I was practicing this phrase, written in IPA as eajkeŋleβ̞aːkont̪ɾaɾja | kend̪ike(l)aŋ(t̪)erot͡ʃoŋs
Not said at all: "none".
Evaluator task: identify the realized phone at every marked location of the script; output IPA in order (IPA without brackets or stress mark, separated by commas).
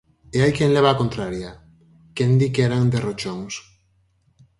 ɾ, d̪